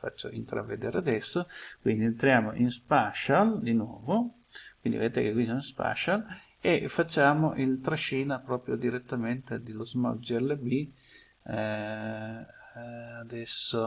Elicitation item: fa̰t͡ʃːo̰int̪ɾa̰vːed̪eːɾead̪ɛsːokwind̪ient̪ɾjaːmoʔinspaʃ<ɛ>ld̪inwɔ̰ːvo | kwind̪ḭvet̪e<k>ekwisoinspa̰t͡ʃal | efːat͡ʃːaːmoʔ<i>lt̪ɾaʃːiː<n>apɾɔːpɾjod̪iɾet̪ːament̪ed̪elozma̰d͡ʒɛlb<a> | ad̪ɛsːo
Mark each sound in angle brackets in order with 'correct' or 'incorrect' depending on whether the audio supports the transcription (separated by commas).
incorrect, correct, correct, correct, incorrect